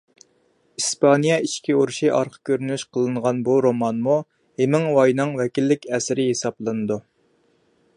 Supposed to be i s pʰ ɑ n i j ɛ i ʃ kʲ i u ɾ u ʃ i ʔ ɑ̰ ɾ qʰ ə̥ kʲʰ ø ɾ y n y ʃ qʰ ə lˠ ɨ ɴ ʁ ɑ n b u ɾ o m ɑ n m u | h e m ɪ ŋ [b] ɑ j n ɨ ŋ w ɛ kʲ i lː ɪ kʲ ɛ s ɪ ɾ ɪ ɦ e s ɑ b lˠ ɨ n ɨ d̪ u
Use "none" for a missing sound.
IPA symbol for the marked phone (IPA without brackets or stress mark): w